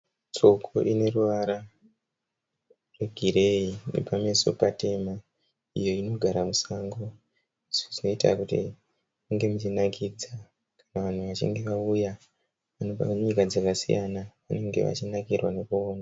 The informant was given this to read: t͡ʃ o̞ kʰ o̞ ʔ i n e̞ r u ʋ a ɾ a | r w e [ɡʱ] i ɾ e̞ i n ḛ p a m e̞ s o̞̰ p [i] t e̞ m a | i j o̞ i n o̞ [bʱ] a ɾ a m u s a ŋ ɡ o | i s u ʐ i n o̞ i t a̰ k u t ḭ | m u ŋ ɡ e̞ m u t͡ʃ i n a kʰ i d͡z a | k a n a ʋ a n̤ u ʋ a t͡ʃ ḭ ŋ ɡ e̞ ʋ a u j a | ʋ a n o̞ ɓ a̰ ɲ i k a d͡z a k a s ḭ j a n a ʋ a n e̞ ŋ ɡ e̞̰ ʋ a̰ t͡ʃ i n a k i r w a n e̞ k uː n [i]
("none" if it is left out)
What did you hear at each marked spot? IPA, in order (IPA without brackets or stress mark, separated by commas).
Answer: ɡʱ, a, ɡʱ, a